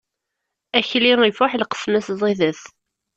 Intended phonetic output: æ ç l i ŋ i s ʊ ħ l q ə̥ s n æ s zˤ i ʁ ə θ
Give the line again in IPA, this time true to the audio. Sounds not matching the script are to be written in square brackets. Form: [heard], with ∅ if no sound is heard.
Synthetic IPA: æ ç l i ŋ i [f] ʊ ħ l q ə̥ s [m] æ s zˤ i [ð] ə θ